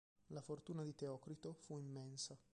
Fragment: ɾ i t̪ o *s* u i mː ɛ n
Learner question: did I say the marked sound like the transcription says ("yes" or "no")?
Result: no